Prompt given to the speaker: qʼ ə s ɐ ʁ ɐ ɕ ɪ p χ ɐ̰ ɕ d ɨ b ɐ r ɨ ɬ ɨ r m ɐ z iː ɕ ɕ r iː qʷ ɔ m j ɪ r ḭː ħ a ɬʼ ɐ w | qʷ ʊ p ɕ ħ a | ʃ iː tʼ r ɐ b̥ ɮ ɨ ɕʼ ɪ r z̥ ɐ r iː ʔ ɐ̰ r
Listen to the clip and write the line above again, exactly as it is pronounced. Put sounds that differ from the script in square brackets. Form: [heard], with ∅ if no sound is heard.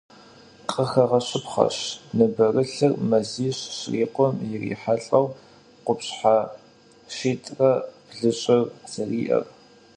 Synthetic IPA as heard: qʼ ə [x] ɐ ʁ ɐ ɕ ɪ p χ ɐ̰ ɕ [n] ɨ b ɐ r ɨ ɬ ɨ r m ɐ z iː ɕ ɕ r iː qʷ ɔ m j ɪ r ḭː ħ a ɬʼ ɐ w | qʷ ʊ p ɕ ħ a | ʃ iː tʼ r ɐ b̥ ɮ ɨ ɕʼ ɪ r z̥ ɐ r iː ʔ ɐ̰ r